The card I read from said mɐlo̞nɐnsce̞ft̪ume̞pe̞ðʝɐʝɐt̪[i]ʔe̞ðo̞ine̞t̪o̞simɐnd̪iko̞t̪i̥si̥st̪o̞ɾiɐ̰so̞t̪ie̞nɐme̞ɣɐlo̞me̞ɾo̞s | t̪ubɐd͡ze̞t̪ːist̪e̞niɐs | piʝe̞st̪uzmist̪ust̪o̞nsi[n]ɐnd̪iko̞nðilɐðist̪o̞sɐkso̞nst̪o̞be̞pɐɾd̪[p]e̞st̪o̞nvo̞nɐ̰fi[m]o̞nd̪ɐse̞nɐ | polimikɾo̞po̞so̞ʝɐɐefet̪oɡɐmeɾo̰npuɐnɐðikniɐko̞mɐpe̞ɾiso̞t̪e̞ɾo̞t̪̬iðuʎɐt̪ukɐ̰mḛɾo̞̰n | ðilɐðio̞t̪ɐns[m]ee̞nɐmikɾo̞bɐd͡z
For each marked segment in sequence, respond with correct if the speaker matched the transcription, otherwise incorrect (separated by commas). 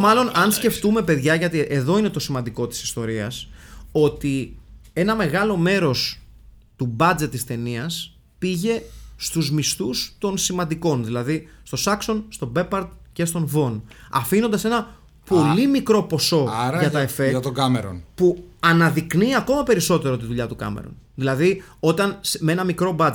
correct, incorrect, incorrect, incorrect, correct